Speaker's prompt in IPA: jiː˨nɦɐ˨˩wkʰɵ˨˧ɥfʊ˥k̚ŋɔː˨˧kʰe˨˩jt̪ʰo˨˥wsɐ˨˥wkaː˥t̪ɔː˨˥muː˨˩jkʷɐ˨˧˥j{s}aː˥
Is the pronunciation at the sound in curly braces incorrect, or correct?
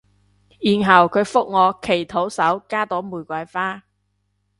incorrect: f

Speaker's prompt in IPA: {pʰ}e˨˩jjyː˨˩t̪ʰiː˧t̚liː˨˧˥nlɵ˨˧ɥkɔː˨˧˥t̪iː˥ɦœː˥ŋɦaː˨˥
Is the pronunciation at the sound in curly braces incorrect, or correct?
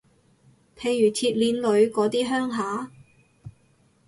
correct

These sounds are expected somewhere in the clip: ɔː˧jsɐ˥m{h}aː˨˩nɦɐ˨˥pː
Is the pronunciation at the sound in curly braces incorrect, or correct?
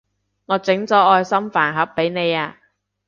incorrect: f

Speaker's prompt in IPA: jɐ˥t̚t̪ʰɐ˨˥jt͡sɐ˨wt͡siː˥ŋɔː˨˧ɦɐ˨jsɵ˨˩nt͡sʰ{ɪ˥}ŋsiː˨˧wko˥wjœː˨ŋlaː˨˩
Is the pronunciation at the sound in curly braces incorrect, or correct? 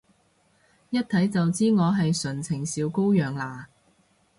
incorrect: ɪ˨˩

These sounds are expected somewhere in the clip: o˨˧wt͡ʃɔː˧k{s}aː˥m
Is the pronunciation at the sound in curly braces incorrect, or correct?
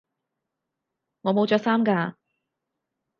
correct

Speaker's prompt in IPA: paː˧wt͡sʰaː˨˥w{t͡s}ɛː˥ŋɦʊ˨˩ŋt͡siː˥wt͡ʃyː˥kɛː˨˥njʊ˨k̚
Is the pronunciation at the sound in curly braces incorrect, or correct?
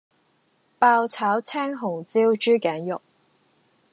incorrect: t͡sʰ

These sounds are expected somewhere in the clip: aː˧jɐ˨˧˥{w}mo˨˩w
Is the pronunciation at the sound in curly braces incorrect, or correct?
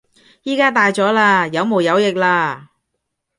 correct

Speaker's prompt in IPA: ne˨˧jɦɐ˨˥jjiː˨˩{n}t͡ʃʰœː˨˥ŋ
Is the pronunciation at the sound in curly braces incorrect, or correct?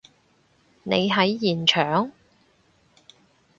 correct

